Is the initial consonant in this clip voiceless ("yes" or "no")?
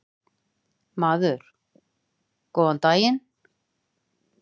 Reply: no